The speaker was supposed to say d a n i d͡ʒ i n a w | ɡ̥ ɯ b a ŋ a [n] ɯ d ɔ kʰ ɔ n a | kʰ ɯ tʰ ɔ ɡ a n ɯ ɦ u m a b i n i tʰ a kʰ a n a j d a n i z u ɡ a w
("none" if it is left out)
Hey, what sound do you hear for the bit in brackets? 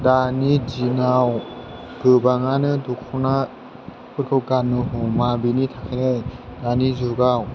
n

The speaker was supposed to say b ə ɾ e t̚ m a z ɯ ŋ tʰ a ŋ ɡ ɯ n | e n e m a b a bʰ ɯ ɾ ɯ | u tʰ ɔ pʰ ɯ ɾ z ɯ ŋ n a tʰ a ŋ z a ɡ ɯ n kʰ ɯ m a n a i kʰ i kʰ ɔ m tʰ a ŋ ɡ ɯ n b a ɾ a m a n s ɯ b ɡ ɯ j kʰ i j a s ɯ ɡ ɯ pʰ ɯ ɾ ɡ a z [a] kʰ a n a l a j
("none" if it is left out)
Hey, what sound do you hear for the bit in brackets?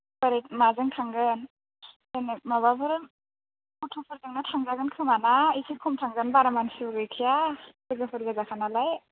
a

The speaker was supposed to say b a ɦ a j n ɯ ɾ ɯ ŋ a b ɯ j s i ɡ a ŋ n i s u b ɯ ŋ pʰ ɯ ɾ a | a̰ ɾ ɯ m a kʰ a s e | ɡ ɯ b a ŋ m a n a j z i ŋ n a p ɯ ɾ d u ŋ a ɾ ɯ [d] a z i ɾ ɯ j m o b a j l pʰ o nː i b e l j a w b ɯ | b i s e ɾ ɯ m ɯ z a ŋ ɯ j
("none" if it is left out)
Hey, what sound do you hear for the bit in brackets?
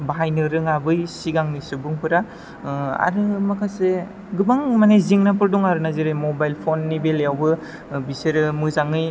n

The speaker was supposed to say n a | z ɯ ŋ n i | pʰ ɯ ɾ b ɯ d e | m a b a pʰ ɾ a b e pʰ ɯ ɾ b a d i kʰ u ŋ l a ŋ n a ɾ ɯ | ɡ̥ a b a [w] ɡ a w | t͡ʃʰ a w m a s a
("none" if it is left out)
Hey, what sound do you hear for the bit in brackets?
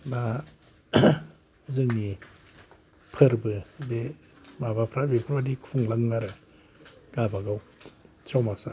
none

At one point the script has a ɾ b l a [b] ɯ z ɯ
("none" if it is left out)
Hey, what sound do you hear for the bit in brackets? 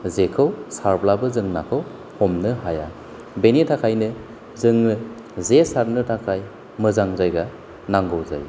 b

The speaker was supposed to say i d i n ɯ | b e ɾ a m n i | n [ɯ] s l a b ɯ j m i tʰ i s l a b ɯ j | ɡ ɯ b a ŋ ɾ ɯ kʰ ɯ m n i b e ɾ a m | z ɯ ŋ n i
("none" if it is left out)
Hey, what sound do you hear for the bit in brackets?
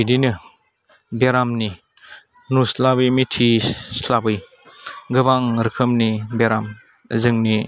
u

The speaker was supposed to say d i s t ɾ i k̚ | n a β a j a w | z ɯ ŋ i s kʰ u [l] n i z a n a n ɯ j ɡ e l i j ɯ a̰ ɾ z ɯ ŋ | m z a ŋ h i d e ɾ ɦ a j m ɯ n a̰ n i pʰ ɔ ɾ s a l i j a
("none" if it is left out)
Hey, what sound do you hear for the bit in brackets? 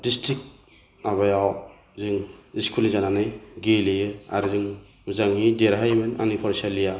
l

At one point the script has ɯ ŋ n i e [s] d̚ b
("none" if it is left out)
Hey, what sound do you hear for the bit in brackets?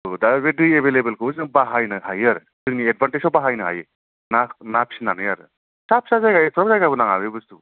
none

